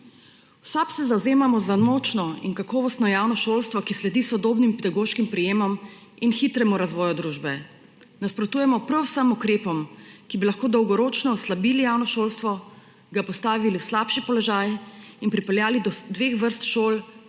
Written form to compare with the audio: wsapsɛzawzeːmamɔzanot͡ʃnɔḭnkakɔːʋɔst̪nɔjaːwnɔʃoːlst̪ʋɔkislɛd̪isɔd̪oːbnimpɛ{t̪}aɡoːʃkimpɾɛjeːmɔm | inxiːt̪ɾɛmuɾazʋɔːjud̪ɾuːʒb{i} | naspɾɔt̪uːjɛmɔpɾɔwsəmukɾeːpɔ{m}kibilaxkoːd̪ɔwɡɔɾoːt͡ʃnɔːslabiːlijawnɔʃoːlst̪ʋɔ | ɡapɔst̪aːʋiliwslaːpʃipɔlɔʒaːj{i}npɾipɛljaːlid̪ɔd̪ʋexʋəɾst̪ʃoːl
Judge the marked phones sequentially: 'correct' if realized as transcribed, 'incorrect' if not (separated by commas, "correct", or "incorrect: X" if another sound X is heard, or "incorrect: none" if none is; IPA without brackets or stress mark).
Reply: incorrect: d̪, incorrect: ɛ, correct, correct